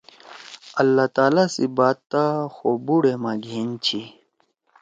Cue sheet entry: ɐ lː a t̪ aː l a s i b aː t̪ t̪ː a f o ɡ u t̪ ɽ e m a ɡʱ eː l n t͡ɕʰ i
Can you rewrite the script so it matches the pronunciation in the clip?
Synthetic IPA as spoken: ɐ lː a t̪ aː l a s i b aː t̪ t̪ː a x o b u ɽ e m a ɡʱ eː n t͡ɕʰ i